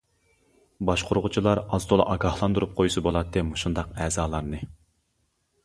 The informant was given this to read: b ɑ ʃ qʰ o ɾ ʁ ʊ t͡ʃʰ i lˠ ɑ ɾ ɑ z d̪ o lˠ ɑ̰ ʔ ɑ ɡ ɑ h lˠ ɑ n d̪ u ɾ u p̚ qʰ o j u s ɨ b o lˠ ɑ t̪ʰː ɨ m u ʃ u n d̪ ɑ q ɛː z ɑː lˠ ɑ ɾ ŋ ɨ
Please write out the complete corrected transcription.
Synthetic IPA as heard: b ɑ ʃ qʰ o ɾ ʁ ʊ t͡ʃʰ i lˠ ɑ ɾ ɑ z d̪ o lˠ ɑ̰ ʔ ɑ ɡ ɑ h lˠ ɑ n d̪ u ɾ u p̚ qʰ o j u s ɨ b o lˠ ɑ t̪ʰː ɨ m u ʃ u n d̪ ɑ q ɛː z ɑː lˠ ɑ ɾ n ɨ